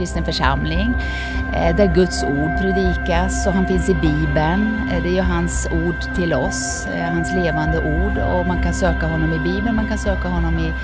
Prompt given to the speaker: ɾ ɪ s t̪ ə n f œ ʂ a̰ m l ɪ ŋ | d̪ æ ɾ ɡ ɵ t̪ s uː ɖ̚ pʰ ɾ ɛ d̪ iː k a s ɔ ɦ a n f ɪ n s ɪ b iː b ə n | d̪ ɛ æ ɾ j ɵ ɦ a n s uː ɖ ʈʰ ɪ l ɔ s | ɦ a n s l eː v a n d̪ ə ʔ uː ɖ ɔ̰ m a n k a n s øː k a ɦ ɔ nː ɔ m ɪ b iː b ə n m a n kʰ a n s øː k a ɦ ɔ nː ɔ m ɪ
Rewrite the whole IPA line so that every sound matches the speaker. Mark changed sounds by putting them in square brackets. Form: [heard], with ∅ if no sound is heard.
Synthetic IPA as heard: ɾ ɪ s t̪ ə n f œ ʂ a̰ m l ɪ ŋ | d̪ æ ɾ ɡ ɵ t̪ s uː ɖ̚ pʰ ɾ ɛ d̪ iː k a s ɔ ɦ a n f ɪ n s ɪ b iː b ə n | d̪ ɛ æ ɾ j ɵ ɦ a n s uː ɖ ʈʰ ɪ l ɔ s | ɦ a n s l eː v a n d̪ ə ʔ uː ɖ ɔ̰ m a n k a n s øː k a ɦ ɔ nː ɔ m ɪ b iː b ə n m a n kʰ a n s øː k a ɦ ɔ nː ɔ m ɪ